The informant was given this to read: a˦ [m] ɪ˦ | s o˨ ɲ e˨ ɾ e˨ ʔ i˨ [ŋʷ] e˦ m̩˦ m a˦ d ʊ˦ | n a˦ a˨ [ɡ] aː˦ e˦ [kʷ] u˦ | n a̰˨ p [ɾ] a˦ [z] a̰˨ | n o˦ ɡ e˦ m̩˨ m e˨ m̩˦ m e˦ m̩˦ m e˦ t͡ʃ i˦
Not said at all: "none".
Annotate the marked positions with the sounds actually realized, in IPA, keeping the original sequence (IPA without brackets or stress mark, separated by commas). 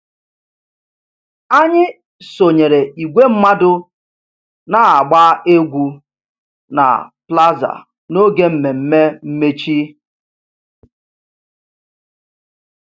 ɲ, ɡʷ, ɡ͡b, ɡʷ, l, z